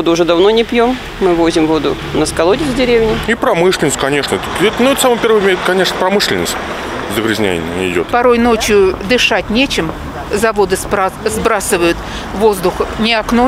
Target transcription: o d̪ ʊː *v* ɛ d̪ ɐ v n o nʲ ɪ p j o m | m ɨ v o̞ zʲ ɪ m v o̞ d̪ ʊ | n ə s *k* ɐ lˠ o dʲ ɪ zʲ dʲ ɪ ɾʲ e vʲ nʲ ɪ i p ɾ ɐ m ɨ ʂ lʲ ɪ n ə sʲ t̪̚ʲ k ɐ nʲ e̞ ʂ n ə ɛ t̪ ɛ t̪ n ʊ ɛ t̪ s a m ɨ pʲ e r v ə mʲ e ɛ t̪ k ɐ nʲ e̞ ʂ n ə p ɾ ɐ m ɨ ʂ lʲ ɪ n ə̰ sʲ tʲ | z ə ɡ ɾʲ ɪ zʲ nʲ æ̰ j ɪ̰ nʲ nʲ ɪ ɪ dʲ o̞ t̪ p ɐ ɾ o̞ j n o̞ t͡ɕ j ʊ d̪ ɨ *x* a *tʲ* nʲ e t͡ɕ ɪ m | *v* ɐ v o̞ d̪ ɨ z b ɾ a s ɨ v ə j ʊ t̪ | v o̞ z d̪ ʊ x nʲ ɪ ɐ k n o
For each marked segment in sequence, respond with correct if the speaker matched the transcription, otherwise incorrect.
incorrect: ʐ, correct, incorrect: ʂ, correct, incorrect: z

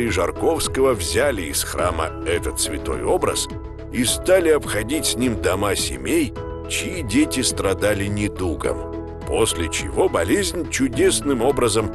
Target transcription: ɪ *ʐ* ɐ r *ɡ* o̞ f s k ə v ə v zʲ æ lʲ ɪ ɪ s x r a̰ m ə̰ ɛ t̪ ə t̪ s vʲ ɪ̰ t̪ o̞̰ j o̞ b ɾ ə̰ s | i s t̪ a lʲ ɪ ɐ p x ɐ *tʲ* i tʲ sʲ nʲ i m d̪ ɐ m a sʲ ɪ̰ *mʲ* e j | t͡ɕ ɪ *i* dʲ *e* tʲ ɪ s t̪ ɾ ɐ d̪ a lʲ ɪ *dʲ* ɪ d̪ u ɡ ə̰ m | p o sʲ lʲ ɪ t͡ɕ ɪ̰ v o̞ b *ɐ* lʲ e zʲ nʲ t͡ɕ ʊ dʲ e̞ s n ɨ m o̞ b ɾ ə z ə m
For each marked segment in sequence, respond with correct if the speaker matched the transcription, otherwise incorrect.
correct, incorrect: k, incorrect: dʲ, correct, correct, correct, incorrect: nʲ, correct

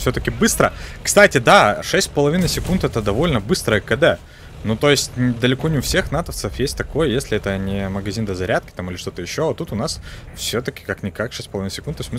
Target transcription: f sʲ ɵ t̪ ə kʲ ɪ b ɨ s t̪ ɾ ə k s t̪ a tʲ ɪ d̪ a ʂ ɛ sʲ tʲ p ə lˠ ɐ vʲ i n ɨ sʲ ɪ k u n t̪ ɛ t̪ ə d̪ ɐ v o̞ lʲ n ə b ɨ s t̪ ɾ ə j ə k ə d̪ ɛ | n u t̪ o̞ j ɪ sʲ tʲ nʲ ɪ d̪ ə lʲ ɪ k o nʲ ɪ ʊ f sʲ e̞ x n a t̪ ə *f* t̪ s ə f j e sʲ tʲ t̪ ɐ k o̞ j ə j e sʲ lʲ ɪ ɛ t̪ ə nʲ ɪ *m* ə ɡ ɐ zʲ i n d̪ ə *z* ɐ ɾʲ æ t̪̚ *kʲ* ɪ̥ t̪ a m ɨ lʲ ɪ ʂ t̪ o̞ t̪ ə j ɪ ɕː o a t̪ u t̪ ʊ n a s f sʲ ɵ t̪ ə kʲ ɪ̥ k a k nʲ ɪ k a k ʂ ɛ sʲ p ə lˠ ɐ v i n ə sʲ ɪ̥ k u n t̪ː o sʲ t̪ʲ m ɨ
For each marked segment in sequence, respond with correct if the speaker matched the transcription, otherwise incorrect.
correct, correct, correct, correct

